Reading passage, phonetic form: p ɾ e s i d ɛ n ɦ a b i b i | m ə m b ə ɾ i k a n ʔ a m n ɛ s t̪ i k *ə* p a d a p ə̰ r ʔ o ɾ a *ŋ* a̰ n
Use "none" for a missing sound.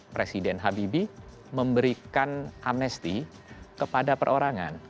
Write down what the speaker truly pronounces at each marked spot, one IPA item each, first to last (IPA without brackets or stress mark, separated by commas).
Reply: ə, ŋ